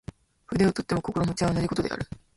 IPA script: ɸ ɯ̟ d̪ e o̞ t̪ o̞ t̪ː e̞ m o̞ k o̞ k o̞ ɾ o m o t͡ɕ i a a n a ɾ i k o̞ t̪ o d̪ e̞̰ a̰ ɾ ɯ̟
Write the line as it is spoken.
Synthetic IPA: ɸ ɯ̟ d̪ e o̞ t̪ o̞ t̪ː e̞ m o̞ k o̞ k o̞ ɾ o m o t͡ɕ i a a n a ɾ i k o̞ t̪ o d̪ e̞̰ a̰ ɾ ɯ̟